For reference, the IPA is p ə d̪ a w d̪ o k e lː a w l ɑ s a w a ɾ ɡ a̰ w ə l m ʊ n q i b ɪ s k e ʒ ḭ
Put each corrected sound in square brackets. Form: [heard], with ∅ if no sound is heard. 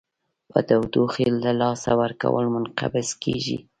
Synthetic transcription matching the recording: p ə d̪ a w d̪ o [x] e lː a [∅] l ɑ s a w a ɾ [k] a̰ w ə l m ʊ n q [a] b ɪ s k e ʒ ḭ